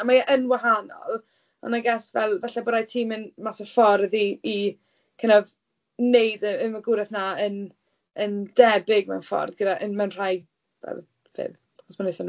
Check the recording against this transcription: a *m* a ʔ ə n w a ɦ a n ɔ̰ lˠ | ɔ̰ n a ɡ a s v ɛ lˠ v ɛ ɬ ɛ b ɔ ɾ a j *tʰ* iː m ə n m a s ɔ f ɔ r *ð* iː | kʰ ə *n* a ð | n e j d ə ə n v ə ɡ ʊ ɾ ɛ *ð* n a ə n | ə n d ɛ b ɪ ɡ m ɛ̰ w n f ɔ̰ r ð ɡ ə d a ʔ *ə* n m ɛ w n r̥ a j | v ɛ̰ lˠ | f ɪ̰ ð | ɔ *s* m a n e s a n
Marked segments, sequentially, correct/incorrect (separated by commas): correct, correct, correct, correct, incorrect, correct, correct